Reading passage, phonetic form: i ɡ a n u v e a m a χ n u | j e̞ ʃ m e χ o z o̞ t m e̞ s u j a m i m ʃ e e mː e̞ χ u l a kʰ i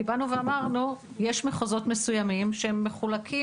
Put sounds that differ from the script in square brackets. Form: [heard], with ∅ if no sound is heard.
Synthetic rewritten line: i [b] a n u v e a m a [ʁ] n u | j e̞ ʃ m e χ o z o̞ t m e̞ s u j a m i m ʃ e e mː e̞ χ u l a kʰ i